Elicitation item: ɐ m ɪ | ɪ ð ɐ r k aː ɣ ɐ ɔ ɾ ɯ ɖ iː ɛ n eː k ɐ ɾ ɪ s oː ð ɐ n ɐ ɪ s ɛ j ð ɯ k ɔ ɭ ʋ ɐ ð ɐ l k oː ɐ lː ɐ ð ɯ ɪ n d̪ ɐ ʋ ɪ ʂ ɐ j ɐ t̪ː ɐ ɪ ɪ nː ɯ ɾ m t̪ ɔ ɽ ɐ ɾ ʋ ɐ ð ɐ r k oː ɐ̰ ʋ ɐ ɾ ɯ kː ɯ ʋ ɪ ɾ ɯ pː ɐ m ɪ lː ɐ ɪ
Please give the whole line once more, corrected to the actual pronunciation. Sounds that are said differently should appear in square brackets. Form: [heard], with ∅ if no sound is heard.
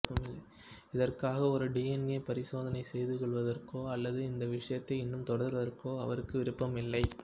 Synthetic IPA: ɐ m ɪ | ɪ ð ɐ r k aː ɣ ɐ ɔ ɾ ɯ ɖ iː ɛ n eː [p] ɐ ɾ ɪ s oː ð ɐ n ɐ ɪ s ɛ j ð ɯ k ɔ ɭ ʋ ɐ ð ɐ [r] k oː ɐ lː ɐ ð ɯ ɪ n d̪ ɐ ʋ ɪ ʂ ɐ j ɐ t̪ː ɐ ɪ ɪ nː ɯ [∅] m t̪ ɔ ɽ ɐ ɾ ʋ ɐ ð ɐ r k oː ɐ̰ ʋ ɐ ɾ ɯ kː ɯ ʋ ɪ ɾ ɯ pː ɐ m ɪ lː ɐ ɪ